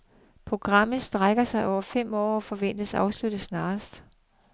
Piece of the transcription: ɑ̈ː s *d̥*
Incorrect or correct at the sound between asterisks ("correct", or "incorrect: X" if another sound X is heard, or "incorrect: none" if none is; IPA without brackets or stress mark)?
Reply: correct